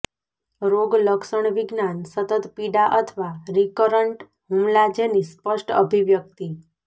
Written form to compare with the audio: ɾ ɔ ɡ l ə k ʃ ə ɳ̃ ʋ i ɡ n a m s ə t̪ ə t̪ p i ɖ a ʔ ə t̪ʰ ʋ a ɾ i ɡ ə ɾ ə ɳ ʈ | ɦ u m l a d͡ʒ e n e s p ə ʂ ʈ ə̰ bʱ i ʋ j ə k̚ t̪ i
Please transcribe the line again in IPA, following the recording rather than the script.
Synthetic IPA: ɾ o ɡ l ə k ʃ ə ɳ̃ ʋ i ɡ n a n s ə t̪ ə t̪ p i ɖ a ʔ ə t̪ʰ ʋ a ɾ i k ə ɾ ə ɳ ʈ | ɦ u m l a d͡ʒ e n i s p ə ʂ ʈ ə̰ bʱ i ʋ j ə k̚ t̪ i